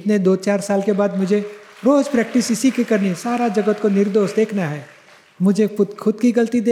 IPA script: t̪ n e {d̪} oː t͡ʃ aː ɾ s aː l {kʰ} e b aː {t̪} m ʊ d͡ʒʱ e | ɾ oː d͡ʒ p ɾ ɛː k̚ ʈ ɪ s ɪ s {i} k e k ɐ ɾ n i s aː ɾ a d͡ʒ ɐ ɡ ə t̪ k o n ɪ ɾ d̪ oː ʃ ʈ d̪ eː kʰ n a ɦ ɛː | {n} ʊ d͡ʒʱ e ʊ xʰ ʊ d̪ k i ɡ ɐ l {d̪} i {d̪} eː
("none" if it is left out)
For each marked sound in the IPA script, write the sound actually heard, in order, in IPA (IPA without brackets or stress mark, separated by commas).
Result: d̪, k, d̪, i, m, t̪, d̪